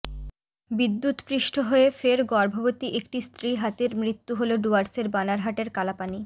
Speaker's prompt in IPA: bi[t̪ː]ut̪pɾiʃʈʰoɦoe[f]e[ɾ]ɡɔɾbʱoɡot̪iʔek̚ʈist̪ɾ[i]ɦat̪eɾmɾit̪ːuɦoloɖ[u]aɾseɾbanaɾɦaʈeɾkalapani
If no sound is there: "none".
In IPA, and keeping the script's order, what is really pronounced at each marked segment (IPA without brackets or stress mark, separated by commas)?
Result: d̪ː, f, ɾ, i, u